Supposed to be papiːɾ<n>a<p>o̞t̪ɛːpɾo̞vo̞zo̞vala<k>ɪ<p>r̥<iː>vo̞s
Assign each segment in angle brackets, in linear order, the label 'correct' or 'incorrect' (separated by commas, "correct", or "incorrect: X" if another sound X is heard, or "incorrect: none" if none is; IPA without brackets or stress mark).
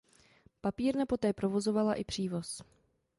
correct, correct, incorrect: ʔ, correct, correct